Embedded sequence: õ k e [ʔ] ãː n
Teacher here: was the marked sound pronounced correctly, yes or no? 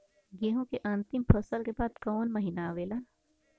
yes